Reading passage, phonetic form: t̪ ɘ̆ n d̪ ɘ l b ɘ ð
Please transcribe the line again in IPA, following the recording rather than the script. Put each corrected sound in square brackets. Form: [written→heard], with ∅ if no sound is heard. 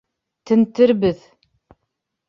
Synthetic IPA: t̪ ɘ̆ n [d̪→t̪] ɘ [l→ɾ] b ɘ ð